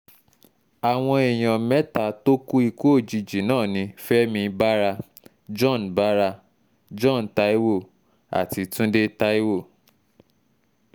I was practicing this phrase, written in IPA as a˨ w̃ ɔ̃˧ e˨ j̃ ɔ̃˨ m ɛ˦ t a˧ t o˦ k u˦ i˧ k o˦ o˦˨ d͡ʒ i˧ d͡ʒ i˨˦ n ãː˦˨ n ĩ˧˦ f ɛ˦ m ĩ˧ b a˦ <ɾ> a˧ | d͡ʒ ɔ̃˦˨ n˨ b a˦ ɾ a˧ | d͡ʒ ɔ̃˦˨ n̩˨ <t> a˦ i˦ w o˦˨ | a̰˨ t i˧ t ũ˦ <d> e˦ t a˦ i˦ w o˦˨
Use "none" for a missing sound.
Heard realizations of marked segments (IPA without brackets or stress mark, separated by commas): ɾ, t, d